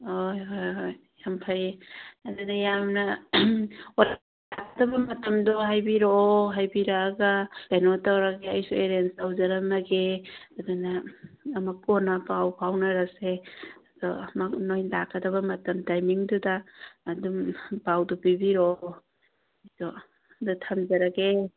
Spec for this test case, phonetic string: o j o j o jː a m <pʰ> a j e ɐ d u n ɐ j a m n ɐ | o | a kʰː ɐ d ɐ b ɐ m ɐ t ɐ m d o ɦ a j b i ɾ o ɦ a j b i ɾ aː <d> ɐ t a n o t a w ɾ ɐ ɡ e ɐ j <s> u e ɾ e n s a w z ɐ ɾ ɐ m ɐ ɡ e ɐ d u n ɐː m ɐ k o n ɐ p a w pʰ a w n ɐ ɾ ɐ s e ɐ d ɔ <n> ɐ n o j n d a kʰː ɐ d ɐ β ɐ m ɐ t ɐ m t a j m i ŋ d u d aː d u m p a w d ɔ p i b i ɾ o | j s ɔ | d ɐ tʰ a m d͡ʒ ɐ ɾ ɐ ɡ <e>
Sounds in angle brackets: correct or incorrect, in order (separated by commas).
correct, incorrect, correct, incorrect, correct